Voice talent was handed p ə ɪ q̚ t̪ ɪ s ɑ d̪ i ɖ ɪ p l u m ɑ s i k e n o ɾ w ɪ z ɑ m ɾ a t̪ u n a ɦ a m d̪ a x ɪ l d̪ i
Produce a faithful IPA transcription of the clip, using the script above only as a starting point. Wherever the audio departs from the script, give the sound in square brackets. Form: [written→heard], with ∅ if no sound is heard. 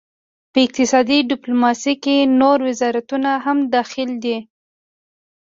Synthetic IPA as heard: p ə ɪ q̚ t̪ ɪ s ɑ d̪ i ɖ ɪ p l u m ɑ s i k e n o ɾ w ɪ z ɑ [m→∅] ɾ a t̪ u n a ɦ a m d̪ [a→ɑ] x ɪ l d̪ i